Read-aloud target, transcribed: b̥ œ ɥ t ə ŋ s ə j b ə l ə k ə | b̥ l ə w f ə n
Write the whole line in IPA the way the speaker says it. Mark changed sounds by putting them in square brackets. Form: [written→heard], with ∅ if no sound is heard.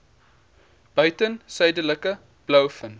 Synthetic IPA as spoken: b̥ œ ɥ t ə [ŋ→n] s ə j [b→d] ə l ə k ə | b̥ l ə w f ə n